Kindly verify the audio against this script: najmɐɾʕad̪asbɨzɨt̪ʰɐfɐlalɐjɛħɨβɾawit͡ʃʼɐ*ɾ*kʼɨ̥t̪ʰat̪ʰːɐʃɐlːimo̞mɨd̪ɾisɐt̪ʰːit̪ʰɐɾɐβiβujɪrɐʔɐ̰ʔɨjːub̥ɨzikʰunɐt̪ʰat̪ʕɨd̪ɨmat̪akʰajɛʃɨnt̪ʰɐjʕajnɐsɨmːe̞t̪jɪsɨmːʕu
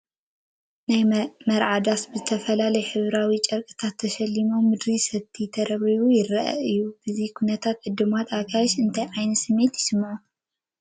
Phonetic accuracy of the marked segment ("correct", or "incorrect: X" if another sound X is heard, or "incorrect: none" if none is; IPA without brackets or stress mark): correct